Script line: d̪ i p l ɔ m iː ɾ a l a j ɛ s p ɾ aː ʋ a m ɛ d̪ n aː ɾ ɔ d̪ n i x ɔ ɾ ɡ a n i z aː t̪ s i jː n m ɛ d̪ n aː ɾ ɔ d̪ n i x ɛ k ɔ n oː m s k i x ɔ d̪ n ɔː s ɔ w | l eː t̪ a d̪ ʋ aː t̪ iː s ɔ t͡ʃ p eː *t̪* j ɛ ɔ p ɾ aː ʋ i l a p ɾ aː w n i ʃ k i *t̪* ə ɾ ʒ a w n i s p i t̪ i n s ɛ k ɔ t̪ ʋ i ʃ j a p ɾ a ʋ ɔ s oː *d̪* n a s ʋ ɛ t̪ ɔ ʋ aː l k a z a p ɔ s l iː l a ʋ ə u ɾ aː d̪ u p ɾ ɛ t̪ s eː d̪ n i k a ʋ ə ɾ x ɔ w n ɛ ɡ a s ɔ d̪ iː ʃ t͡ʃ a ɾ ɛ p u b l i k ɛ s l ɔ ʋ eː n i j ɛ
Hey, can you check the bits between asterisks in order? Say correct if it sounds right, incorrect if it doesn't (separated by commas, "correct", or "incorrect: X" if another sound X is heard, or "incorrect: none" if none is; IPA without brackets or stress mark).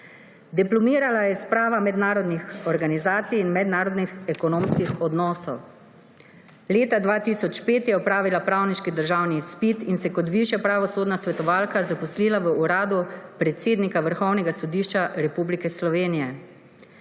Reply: correct, incorrect: d̪, correct